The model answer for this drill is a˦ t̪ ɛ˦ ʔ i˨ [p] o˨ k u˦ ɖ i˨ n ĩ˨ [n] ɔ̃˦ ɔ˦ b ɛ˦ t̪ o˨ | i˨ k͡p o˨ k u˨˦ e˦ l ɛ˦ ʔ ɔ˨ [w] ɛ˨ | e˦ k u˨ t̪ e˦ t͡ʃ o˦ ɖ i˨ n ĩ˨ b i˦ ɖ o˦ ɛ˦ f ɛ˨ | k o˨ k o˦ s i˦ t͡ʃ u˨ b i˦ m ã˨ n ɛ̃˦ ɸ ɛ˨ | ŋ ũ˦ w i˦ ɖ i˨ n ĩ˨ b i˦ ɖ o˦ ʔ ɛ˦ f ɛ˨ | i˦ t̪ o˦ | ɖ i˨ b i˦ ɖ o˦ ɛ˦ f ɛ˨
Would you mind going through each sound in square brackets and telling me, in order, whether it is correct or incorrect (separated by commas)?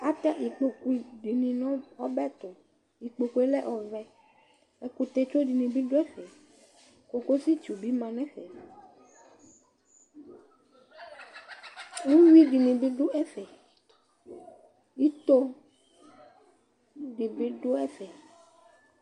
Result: incorrect, correct, incorrect